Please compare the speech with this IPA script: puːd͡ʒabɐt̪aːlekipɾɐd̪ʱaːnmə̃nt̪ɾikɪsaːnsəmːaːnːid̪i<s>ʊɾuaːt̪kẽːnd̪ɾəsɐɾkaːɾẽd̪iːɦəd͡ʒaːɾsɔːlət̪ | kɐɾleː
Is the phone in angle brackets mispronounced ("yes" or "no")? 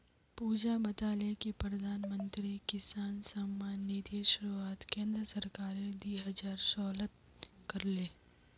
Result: yes